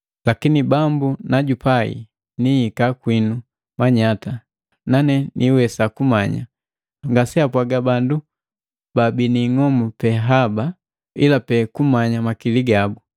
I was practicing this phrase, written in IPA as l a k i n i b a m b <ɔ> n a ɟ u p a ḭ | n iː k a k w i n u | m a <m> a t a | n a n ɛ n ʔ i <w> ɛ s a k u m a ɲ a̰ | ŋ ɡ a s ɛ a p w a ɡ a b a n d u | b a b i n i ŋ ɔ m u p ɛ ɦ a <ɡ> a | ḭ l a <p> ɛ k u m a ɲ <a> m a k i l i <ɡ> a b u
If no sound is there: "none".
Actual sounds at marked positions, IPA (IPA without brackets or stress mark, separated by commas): u, ɲ, w, b, p, a, ɡ